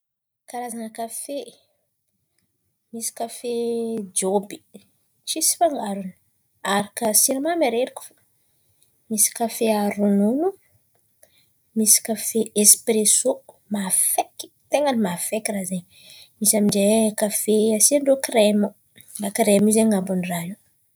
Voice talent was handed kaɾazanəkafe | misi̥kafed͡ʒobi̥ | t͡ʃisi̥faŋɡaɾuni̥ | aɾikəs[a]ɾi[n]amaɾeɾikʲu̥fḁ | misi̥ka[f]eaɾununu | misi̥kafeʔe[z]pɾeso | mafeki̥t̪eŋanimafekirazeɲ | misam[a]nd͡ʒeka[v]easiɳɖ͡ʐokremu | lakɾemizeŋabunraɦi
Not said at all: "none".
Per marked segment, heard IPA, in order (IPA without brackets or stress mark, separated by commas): i, m, f, s, i, f